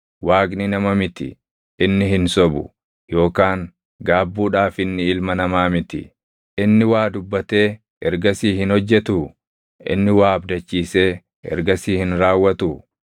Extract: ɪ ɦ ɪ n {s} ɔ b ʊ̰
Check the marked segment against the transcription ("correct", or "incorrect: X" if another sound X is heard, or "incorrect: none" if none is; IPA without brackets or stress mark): correct